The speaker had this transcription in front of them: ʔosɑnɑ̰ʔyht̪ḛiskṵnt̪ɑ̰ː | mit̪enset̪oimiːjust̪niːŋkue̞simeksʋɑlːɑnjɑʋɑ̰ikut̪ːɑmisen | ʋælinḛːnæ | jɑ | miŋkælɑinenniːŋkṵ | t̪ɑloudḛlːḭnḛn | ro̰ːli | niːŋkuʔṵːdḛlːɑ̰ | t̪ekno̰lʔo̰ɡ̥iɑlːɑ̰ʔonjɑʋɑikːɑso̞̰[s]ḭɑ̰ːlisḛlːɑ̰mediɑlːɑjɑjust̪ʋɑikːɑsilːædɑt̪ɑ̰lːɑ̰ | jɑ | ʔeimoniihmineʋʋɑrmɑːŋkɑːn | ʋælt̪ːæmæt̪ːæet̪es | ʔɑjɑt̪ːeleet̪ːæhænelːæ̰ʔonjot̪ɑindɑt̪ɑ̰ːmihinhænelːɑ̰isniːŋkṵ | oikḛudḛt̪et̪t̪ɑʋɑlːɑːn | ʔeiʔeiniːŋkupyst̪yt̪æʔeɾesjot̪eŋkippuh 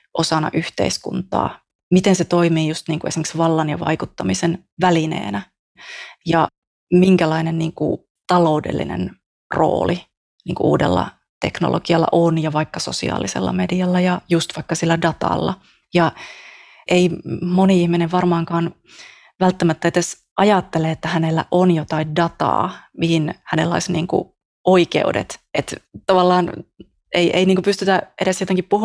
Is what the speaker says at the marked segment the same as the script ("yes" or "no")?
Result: yes